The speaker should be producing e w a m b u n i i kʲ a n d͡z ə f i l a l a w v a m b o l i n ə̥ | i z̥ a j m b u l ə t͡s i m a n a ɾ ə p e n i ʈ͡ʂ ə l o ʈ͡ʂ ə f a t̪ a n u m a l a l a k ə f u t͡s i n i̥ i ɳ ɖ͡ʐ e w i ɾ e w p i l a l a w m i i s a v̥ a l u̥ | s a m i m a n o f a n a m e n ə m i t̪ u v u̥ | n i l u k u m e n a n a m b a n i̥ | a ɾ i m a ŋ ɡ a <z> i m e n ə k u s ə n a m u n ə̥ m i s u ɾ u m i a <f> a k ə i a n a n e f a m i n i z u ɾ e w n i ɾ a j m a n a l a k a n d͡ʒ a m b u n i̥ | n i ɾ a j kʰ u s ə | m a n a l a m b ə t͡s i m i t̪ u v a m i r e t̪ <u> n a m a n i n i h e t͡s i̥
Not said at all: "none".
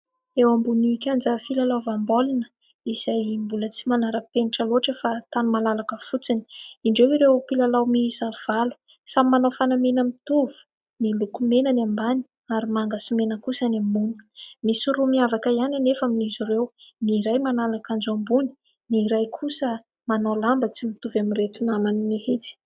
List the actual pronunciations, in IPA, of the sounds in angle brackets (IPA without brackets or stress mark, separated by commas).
s, v, u